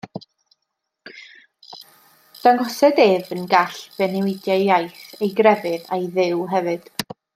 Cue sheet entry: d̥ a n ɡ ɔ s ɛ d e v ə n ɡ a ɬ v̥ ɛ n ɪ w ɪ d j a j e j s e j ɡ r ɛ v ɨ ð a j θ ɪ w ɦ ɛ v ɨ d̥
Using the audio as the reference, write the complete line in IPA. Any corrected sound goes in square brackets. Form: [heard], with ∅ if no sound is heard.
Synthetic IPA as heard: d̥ a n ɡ ɔ s ɛ d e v ə n ɡ a ɬ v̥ ɛ n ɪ w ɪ d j a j [a] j [θ] e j ɡ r ɛ v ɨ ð a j [ð] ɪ w ɦ ɛ v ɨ d̥